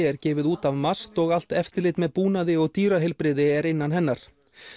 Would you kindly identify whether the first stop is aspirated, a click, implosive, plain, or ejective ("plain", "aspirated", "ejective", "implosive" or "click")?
plain